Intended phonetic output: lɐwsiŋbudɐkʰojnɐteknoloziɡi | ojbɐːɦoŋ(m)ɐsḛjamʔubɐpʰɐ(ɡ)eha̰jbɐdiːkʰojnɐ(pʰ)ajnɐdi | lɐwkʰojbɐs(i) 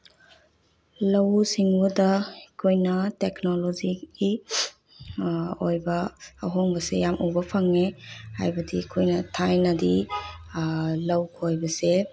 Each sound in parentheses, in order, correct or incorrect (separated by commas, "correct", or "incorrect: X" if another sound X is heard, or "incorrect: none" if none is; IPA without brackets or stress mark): incorrect: b, incorrect: ŋ, incorrect: tʰ, incorrect: e